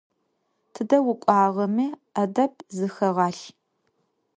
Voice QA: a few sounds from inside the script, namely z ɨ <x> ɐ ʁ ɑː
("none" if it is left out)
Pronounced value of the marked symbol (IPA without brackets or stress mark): x